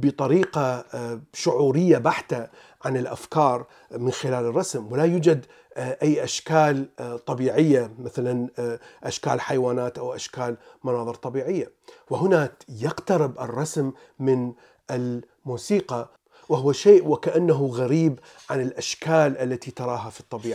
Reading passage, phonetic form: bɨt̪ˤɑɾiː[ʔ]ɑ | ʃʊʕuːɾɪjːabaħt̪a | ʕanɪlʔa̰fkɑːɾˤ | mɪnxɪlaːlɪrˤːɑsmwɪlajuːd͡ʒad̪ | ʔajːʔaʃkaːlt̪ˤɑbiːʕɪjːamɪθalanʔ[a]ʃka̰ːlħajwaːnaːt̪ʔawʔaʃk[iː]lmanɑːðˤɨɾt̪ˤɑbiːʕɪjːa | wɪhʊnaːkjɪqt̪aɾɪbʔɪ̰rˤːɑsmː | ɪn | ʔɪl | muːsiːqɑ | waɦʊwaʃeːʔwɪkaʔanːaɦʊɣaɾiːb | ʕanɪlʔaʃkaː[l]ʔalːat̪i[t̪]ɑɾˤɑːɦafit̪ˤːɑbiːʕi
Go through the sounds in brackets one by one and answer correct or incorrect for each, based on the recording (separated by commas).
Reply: incorrect, correct, incorrect, correct, correct